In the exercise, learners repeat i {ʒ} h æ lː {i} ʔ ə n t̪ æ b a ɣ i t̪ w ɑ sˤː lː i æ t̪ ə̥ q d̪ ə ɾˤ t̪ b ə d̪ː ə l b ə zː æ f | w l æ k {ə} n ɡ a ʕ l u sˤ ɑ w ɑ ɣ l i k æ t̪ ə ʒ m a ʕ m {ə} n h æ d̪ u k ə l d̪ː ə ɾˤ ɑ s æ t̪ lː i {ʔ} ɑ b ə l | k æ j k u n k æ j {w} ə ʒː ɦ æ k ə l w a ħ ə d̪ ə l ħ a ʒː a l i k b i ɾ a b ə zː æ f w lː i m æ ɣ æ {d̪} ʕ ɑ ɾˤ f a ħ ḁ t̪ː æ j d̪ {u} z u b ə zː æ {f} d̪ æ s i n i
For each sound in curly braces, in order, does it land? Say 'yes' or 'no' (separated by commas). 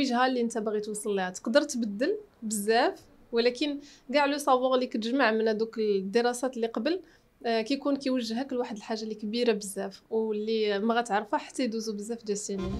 yes, yes, yes, yes, no, yes, no, yes, yes